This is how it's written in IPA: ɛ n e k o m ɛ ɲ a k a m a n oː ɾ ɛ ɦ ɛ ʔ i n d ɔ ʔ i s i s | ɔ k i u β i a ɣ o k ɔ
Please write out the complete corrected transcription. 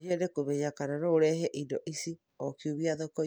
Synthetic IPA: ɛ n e k o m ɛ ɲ a k a n a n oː ɾ ɛ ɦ ɛ ʔ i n d ɔ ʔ i s i | ɔ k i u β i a ð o k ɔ